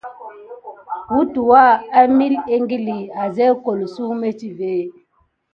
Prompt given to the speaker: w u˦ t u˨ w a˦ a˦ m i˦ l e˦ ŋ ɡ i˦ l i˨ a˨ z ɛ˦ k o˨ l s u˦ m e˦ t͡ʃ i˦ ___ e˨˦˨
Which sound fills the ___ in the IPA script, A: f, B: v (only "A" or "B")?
B